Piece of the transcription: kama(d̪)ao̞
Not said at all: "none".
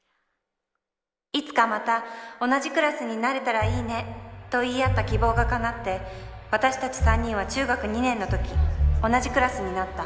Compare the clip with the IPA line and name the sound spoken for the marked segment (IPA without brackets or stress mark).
t̪